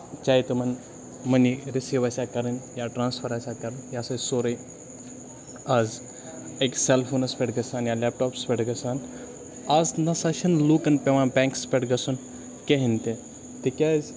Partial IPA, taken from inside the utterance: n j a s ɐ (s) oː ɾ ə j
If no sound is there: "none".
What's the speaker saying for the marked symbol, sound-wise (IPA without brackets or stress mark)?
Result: s